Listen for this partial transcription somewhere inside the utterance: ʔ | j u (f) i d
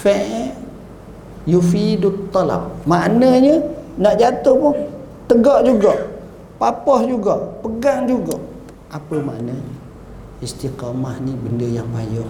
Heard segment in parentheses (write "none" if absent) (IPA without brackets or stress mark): f